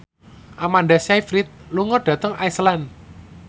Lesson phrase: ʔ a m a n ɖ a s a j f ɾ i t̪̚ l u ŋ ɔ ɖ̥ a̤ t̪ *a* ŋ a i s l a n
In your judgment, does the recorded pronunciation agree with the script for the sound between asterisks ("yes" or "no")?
no